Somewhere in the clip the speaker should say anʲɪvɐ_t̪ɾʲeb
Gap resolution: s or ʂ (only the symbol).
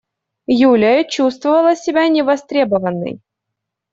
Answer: s